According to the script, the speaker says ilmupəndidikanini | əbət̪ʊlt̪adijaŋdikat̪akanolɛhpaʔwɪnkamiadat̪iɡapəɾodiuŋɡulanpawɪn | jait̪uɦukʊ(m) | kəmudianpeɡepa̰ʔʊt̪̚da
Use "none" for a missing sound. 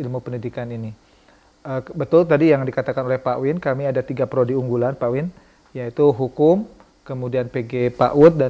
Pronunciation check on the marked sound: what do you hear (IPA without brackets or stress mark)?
m